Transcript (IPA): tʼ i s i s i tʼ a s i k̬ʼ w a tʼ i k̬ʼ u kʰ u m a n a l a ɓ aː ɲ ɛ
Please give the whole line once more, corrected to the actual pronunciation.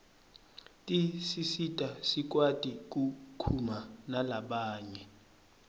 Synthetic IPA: tʼ i s i s i tʼ a s i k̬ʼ w a tʼ i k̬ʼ u kʰ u m a n a l a ɓ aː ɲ ɛ